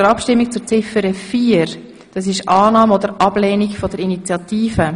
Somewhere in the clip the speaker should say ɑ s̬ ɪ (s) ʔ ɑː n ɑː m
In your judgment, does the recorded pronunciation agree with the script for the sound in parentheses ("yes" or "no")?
no